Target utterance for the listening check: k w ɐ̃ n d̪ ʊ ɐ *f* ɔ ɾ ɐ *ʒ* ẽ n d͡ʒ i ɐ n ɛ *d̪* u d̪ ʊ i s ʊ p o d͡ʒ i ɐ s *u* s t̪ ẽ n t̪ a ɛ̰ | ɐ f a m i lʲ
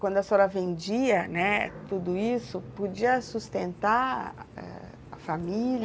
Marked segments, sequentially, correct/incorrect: incorrect: s, incorrect: v, incorrect: t̪, correct

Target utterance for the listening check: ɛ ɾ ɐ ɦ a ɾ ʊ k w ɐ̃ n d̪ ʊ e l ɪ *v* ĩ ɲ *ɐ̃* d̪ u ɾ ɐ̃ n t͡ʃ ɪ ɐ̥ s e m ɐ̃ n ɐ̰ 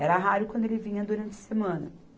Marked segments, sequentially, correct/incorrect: correct, incorrect: ɐ

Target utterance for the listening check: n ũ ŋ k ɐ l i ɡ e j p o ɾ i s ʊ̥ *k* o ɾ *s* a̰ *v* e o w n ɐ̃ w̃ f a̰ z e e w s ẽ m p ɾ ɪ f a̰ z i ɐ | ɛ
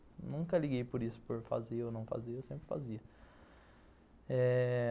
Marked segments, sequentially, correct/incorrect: incorrect: p, incorrect: f, incorrect: z

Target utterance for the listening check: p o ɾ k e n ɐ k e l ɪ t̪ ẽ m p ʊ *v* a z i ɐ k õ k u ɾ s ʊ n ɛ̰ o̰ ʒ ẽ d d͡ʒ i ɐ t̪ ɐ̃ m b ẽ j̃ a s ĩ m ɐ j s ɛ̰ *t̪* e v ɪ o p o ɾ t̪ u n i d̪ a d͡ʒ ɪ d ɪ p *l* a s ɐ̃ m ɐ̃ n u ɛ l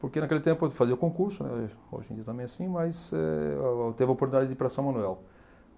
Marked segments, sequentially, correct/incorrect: incorrect: f, correct, incorrect: ɾ

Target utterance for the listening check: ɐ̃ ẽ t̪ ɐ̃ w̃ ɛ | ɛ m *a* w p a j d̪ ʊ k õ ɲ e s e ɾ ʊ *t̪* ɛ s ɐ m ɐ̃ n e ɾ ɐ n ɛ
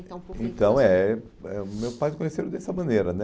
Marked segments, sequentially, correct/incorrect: incorrect: e, incorrect: d̪

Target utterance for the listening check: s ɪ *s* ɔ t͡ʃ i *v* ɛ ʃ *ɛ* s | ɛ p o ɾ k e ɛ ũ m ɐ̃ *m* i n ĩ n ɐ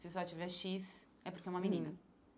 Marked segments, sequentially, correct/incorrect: correct, correct, incorrect: i, correct

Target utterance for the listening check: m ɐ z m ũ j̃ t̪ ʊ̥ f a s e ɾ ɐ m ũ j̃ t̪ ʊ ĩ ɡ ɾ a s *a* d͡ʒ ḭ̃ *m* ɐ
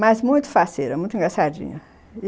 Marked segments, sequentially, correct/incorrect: correct, incorrect: ɲ

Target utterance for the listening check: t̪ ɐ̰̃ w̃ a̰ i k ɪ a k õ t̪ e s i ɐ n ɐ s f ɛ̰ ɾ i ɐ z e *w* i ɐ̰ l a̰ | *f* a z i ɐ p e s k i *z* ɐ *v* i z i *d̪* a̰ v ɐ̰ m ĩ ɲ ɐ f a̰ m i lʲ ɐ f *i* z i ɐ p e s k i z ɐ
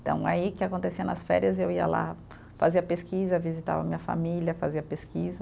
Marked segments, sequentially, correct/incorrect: correct, correct, correct, correct, incorrect: t̪, incorrect: a

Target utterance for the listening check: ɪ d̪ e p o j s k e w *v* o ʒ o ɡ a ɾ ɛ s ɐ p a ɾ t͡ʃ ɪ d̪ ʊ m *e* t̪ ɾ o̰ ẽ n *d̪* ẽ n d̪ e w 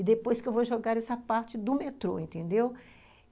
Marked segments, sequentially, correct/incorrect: correct, correct, incorrect: t̪

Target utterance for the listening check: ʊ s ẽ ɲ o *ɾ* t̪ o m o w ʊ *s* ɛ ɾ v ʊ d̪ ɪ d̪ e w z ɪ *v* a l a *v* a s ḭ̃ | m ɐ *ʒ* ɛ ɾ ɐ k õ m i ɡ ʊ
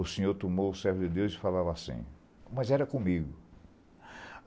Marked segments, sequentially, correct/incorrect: correct, correct, incorrect: f, correct, incorrect: z

